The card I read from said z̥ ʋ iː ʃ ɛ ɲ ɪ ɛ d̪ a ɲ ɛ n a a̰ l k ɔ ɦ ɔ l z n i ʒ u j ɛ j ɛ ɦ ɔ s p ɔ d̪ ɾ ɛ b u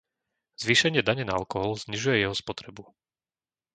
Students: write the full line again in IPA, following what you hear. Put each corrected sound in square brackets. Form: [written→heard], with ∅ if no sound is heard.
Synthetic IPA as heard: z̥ ʋ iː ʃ ɛ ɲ ɪ ɛ d̪ a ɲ ɛ n a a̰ l k ɔ ɦ ɔ l z [n→ɲ] i ʒ u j ɛ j ɛ ɦ ɔ s p ɔ [d̪→t̪] ɾ ɛ b u